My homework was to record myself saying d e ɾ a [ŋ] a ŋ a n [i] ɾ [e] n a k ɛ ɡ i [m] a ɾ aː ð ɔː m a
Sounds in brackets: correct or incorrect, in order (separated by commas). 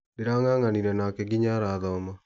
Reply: correct, correct, incorrect, incorrect